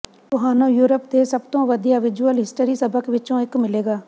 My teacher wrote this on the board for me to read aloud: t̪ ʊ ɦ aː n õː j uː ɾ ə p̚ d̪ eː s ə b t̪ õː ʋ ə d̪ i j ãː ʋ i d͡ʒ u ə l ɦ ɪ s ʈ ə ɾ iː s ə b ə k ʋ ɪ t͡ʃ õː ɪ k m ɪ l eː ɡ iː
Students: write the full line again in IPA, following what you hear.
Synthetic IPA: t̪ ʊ ɦ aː n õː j uː ɾ ə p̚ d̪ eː s ə b t̪ õː ʋ ə d̪ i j aː ʋ ɪ d͡ʒ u ə l ɦ ɪ s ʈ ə ɾ iː s ə b ə k ʋ ɪ t͡ʃ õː ɪ k m ɪ l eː ɡ aː